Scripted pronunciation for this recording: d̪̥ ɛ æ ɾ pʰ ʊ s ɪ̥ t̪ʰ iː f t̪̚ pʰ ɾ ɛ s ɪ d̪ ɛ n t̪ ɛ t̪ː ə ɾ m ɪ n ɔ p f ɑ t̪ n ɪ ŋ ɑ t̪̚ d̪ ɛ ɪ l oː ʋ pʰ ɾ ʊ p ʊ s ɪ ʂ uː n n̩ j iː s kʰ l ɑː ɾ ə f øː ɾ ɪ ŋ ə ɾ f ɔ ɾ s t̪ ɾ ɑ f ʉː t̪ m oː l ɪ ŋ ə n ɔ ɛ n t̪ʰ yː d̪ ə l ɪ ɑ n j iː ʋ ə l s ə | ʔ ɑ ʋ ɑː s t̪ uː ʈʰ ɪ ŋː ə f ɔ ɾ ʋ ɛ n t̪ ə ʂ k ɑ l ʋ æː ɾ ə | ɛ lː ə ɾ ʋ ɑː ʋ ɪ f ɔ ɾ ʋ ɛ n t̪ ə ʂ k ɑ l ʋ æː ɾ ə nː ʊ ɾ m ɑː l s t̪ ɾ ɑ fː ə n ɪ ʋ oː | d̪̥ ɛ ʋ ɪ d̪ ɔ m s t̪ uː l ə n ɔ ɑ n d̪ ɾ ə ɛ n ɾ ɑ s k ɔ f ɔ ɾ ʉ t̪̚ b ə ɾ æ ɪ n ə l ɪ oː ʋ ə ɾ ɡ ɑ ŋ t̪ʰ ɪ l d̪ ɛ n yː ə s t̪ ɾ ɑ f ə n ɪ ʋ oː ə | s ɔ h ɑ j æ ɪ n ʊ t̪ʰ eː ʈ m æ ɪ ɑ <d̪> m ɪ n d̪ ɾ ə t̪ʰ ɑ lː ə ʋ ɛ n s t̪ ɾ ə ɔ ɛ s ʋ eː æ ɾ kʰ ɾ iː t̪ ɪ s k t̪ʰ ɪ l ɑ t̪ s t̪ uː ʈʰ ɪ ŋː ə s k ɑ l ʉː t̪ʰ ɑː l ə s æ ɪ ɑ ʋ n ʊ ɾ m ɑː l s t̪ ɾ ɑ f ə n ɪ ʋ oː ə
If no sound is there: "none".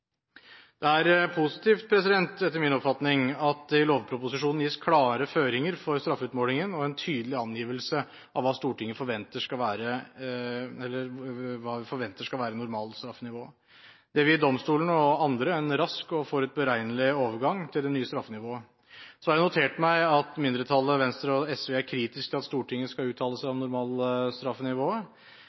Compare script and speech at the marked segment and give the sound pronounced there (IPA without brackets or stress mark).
t̪